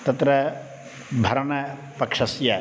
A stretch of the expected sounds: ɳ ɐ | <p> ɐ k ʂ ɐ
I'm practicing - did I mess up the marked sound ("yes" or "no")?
no